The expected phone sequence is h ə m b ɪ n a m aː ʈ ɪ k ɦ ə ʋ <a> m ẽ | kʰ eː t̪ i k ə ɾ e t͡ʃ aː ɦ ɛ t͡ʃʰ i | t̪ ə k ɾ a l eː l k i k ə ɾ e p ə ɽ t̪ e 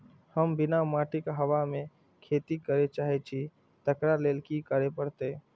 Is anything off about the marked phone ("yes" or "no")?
no